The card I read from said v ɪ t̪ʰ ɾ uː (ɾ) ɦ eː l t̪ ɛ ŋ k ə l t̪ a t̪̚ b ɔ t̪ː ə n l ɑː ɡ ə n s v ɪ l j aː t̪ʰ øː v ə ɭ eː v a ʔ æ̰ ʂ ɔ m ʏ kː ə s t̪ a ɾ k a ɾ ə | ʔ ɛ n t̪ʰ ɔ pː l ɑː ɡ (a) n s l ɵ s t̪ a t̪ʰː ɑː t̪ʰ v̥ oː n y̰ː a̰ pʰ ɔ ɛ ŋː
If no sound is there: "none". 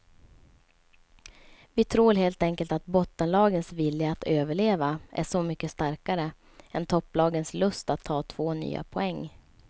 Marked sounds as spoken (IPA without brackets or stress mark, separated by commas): ɾ, ə